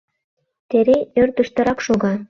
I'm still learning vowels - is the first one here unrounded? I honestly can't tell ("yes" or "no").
yes